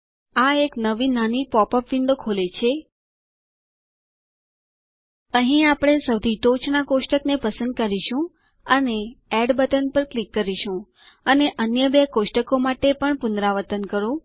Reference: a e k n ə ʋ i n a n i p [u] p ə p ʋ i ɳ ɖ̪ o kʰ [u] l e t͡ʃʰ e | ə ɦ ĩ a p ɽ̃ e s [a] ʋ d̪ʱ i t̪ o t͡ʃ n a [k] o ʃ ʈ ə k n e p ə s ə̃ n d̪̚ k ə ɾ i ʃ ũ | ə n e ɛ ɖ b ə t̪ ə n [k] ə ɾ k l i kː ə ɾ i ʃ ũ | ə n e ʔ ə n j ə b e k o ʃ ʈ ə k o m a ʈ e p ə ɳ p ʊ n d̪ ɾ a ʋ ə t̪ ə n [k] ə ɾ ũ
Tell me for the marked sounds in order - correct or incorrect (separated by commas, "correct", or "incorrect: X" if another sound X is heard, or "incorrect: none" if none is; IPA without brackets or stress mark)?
incorrect: ɔ, incorrect: o, incorrect: ə, correct, incorrect: p, correct